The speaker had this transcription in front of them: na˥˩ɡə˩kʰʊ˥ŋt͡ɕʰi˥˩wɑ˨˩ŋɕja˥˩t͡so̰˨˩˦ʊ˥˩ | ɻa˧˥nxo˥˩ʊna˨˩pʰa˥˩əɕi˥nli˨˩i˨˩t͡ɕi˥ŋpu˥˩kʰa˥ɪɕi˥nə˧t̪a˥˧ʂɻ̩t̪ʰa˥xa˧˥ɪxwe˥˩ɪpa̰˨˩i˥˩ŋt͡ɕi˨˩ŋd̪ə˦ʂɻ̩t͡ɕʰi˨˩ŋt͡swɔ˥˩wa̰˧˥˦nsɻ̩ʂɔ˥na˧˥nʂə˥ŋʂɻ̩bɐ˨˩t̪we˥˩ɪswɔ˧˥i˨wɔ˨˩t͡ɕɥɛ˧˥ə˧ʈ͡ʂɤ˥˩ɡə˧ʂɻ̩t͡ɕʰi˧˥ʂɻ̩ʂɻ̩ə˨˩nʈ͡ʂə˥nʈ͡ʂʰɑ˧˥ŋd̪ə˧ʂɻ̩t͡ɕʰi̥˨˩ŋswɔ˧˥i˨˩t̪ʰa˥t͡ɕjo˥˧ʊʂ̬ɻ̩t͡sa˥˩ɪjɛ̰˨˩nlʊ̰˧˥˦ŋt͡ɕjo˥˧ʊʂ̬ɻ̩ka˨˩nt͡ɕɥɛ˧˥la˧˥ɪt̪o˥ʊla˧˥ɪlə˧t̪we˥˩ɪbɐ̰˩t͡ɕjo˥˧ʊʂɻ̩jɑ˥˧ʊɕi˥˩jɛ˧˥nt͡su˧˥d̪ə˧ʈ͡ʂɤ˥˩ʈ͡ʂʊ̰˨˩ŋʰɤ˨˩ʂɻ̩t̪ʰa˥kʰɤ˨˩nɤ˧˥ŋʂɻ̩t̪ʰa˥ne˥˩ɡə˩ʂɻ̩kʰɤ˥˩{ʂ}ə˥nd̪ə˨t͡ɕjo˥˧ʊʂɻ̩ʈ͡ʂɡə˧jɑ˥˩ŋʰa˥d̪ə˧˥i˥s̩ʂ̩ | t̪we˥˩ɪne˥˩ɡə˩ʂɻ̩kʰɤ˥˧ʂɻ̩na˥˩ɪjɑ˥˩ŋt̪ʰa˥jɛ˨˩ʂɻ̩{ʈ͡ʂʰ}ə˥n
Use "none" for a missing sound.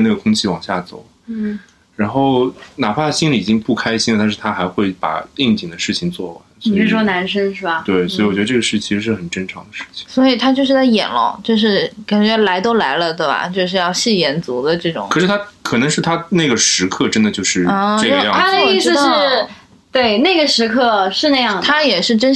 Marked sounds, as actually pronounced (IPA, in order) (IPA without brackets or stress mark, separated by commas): ʈ͡ʂ, ʈ͡ʂ